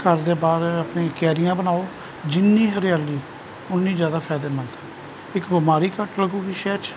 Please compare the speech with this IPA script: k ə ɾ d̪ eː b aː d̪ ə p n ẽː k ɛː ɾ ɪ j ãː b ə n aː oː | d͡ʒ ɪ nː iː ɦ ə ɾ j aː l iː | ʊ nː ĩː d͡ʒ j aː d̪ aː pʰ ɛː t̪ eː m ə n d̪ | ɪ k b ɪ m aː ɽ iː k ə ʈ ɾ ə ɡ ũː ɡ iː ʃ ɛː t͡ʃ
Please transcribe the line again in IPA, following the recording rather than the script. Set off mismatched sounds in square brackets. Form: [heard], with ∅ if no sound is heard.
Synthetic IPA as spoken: k ə ɾ d̪ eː b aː d̪ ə p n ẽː k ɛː ɾ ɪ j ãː b ə n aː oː | d͡ʒ ɪ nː iː ɦ ə ɾ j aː l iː | ʊ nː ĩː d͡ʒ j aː d̪ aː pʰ ɛː [d̪] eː m ə n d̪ | ɪ k b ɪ m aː [ɾ] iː k ə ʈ [l] ə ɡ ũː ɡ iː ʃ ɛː t͡ʃ